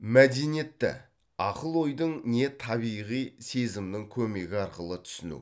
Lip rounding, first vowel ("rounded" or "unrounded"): unrounded